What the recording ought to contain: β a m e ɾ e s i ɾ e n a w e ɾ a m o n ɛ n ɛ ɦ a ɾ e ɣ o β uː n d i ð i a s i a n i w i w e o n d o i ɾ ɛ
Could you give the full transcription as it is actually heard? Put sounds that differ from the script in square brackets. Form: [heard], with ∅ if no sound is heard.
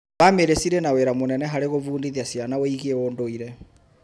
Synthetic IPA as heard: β a m e ɾ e s i ɾ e n a w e ɾ a m o n ɛ n ɛ ɦ a ɾ e ɣ o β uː n d i ð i a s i a n [a] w i [ɣ] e o n d o i ɾ ɛ